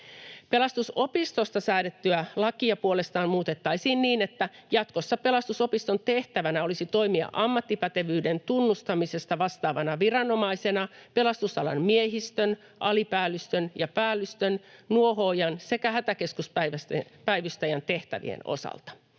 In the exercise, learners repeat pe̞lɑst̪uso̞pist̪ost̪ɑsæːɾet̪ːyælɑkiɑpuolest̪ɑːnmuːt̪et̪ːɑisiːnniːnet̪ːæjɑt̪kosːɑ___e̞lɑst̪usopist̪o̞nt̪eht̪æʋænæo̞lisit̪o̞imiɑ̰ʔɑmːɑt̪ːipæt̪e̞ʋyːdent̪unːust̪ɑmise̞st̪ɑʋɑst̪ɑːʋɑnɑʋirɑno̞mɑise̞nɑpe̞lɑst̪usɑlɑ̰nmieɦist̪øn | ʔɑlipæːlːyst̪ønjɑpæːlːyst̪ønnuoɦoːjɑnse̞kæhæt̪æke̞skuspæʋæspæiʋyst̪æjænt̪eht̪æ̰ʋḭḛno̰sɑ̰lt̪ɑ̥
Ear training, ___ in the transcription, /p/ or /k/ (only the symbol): p